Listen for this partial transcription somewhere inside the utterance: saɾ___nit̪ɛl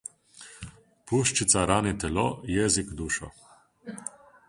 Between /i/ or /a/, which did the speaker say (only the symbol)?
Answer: a